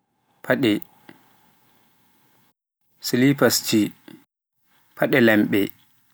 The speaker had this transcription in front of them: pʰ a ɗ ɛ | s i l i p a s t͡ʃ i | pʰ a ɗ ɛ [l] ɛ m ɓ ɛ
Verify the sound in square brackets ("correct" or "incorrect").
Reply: correct